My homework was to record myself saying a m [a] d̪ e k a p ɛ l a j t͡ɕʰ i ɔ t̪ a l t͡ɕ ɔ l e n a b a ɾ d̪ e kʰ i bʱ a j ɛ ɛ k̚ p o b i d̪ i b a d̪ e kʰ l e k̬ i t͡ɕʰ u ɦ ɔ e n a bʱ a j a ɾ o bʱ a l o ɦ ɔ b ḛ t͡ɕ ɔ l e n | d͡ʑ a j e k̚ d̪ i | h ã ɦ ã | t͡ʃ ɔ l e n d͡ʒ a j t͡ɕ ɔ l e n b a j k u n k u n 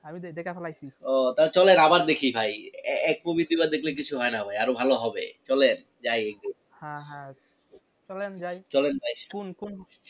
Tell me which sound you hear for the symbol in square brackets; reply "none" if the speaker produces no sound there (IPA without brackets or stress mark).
i